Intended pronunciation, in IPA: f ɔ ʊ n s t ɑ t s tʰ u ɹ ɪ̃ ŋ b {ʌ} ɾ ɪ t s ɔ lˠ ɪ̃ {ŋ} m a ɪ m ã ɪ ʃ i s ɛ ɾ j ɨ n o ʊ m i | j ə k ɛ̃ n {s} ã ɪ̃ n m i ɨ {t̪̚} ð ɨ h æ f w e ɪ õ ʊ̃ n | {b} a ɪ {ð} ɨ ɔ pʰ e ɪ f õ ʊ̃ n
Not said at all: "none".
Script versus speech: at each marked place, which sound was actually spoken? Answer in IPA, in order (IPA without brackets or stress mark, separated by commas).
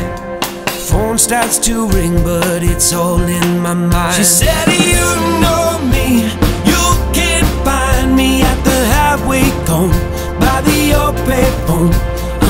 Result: ʌ, n, f, t̪̚, b, ð